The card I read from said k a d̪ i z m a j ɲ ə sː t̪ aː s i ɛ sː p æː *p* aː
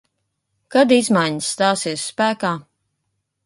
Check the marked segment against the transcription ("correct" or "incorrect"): incorrect